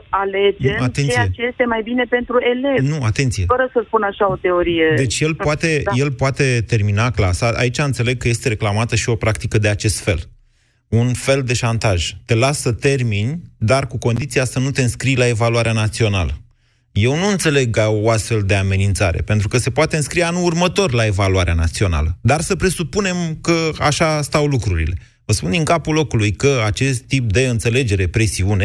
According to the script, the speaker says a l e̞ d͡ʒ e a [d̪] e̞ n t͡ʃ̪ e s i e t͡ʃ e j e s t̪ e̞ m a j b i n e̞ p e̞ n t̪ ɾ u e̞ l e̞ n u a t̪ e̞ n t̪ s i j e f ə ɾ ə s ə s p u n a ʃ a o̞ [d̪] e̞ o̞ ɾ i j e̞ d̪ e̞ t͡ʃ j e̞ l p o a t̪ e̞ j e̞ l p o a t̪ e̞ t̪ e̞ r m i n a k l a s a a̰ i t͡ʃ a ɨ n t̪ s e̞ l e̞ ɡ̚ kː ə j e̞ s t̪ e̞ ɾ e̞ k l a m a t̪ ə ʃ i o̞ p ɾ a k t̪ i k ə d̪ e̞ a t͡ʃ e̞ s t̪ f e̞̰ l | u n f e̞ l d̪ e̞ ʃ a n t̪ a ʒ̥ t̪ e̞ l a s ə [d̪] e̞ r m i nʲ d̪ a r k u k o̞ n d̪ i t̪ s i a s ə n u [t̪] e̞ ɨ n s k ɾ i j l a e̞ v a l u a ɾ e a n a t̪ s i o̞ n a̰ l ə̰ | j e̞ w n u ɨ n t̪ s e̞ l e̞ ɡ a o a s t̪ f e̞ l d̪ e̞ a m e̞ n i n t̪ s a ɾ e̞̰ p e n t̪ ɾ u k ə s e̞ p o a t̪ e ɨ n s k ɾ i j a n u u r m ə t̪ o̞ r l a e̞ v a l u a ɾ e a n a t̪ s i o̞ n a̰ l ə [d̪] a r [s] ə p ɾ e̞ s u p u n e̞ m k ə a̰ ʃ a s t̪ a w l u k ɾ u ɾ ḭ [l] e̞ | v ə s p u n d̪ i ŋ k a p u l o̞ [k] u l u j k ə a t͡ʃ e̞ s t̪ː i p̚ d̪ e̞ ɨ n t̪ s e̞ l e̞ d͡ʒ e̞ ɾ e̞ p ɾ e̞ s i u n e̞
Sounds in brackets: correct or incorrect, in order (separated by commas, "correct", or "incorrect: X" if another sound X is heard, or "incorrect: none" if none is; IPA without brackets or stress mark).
incorrect: t̪, incorrect: t̪, incorrect: t̪, correct, correct, correct, correct, correct